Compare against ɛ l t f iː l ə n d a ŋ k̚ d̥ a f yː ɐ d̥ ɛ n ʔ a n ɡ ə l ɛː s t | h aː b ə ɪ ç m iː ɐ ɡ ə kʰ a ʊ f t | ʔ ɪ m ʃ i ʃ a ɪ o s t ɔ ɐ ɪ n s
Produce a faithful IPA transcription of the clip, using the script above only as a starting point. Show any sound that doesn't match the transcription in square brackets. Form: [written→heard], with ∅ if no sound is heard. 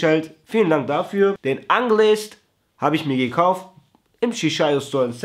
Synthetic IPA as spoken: ɛ l t f iː l ə n d a ŋ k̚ d̥ a f yː ɐ d̥ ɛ n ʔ a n ɡ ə l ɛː s t | h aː b ə ɪ ç m iː ɐ ɡ ə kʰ a ʊ f t | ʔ ɪ m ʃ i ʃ a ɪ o s t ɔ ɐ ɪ n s